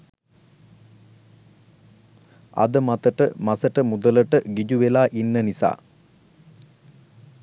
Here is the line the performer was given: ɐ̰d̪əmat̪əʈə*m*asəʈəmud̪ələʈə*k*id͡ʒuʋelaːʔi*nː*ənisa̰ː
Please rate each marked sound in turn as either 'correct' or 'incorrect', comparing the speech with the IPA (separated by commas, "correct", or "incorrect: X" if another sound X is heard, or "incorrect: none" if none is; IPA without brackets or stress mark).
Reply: correct, incorrect: ɡ, correct